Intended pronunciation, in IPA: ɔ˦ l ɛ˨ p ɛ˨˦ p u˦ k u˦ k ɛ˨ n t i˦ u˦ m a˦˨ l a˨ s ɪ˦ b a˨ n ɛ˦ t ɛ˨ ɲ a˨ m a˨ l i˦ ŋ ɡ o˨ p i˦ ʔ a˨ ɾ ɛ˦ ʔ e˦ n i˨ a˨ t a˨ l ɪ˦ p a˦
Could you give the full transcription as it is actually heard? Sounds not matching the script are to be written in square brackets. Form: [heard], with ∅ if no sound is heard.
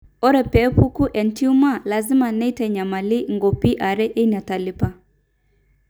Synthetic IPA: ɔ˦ [ɾ] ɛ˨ p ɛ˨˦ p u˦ k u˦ [ʔ] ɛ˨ n t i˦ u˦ m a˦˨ l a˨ [z] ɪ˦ [m] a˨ n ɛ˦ t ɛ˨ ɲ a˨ m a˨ l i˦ ŋ ɡ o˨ p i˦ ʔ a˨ ɾ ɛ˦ ʔ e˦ n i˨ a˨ t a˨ l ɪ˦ p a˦